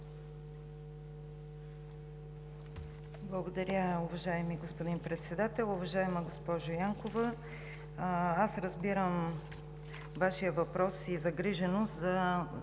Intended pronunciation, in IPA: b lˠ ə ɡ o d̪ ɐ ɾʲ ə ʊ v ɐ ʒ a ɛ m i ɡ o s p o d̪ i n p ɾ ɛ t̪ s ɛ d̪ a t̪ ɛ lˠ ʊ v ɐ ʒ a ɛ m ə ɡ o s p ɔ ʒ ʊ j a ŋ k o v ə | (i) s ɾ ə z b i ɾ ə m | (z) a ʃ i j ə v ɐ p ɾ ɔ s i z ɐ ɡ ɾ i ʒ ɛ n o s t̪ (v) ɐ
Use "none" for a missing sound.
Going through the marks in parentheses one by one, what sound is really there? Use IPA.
a, v, z

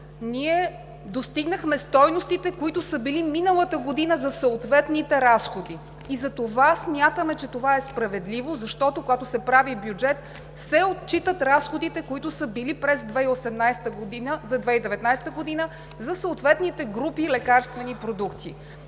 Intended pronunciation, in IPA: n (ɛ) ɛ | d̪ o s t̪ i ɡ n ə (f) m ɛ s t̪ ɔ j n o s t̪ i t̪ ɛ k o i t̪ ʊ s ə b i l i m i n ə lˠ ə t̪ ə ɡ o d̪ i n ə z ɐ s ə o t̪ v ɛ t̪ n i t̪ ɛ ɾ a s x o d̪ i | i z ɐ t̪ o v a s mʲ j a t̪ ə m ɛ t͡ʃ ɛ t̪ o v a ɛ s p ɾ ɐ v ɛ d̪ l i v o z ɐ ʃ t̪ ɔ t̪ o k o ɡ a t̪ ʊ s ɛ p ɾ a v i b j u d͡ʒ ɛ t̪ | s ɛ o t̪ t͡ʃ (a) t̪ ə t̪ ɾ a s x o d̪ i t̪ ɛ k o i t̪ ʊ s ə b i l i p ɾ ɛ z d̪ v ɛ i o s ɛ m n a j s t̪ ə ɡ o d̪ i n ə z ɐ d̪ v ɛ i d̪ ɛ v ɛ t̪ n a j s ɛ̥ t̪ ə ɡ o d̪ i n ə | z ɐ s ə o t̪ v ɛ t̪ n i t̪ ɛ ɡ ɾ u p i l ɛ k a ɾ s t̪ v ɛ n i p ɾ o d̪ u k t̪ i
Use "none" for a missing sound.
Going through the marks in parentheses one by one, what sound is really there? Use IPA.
i, x, i

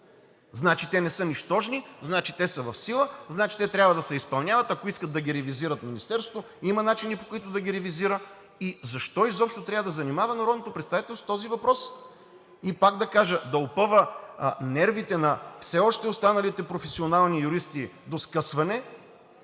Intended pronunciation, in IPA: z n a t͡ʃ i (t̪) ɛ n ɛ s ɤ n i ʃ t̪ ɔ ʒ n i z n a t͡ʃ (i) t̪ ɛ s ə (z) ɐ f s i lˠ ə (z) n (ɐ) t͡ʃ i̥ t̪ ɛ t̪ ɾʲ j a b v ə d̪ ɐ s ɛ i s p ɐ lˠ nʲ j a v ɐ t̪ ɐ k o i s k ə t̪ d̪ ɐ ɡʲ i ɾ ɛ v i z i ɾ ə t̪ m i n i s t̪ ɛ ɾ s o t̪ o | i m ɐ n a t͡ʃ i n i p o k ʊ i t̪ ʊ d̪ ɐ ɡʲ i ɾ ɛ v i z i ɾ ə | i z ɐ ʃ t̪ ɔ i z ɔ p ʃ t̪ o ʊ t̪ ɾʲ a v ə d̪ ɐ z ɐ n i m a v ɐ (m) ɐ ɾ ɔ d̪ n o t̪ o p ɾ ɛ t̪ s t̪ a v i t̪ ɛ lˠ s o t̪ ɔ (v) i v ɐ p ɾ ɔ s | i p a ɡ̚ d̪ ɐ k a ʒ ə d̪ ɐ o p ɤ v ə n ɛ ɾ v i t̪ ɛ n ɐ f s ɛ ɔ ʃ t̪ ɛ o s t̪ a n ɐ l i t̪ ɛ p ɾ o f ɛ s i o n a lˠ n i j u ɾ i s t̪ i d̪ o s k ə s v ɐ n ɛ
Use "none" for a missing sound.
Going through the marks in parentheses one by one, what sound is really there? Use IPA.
t̪, i, v, z, a, n, z

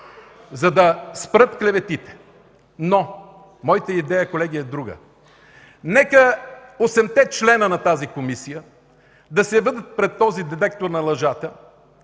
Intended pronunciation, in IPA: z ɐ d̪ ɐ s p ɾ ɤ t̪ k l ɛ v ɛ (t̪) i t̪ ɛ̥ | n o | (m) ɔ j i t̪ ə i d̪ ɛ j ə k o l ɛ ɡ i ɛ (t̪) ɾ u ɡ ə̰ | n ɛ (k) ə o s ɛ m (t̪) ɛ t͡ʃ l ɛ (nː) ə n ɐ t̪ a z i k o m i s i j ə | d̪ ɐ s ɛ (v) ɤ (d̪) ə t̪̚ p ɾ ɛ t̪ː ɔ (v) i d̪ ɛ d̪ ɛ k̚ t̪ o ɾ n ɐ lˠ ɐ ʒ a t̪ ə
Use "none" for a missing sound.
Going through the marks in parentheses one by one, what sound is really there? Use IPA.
t̪, m, d̪, k, t̪, n, v, d̪, z

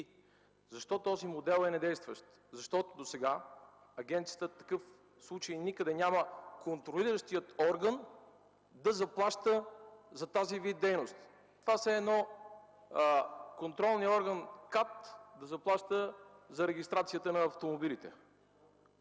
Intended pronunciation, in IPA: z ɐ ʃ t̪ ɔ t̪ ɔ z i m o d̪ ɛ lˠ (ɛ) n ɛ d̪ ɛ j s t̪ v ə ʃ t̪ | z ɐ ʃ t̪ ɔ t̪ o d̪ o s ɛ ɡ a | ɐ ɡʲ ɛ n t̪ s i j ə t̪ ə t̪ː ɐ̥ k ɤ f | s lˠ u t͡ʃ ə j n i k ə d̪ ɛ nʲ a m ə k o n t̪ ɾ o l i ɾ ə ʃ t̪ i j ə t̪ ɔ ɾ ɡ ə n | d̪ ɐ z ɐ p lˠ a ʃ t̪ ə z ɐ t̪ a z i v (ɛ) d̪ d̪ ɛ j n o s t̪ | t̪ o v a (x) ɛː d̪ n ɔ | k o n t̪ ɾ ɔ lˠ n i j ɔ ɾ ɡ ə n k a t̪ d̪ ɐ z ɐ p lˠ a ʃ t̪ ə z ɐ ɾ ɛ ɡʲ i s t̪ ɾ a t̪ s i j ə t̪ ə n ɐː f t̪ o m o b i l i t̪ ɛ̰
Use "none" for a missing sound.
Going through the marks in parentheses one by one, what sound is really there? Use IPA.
ɛ, i, s

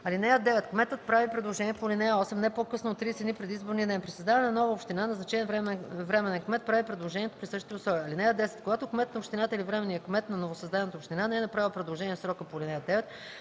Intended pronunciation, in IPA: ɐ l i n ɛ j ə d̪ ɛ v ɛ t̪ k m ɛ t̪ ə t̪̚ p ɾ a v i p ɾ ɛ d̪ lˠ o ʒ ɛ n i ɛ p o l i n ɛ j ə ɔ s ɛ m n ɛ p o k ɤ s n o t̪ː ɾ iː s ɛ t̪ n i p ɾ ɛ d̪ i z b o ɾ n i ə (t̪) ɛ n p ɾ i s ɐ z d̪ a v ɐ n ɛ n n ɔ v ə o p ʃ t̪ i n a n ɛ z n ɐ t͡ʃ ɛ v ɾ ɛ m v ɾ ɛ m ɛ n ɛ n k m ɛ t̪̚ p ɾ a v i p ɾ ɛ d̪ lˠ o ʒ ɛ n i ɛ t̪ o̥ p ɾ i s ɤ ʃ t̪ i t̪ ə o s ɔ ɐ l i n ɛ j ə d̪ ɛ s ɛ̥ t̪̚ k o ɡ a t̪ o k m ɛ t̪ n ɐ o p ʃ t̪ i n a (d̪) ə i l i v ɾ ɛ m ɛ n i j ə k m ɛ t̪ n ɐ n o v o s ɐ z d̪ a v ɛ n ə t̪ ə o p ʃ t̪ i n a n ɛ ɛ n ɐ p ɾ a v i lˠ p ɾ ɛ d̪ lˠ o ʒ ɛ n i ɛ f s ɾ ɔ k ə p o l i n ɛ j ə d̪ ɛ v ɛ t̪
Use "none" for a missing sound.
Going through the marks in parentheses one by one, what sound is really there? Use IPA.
d̪, t̪

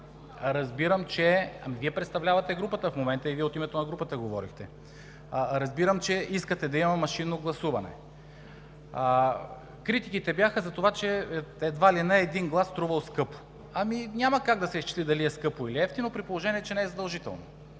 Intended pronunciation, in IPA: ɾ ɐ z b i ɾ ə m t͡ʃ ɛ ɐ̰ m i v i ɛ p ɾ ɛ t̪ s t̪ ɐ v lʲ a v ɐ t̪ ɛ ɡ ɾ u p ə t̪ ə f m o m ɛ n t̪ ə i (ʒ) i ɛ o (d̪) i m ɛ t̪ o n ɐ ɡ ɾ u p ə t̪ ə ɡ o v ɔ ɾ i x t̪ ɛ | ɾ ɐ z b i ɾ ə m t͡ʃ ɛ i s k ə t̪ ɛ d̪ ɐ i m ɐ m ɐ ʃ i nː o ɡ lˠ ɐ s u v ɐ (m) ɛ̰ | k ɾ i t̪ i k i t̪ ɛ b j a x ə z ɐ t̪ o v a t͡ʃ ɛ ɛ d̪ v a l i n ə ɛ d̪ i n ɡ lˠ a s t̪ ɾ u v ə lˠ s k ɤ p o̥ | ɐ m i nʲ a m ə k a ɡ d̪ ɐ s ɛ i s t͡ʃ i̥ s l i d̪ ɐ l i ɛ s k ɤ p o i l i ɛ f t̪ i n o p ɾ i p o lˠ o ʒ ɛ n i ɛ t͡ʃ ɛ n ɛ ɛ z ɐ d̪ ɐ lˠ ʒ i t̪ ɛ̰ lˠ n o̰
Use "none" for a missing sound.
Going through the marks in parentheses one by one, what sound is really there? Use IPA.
v, t̪, n

